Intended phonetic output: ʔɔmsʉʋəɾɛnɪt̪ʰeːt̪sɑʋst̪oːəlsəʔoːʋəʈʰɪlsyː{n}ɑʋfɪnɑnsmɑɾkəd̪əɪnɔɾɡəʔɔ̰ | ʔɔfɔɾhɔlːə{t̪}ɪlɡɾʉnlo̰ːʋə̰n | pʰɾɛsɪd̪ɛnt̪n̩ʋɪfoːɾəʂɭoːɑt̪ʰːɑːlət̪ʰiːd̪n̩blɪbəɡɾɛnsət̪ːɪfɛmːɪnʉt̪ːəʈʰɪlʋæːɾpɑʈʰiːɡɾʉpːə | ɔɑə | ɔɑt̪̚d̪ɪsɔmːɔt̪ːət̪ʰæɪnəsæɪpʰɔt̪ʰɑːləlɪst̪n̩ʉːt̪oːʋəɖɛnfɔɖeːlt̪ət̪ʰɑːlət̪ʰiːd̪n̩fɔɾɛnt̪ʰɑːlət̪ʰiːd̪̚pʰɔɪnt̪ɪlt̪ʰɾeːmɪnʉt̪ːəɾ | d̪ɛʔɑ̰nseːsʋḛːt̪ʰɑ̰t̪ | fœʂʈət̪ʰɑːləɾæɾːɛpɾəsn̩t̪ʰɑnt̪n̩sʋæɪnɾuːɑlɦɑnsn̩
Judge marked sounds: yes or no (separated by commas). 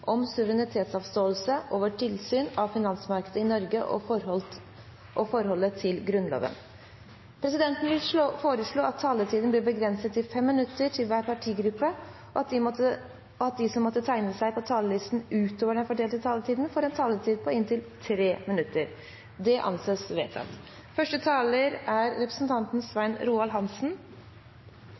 yes, no